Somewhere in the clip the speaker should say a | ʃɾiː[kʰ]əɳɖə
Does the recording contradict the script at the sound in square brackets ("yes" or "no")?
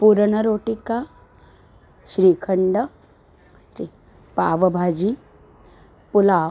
no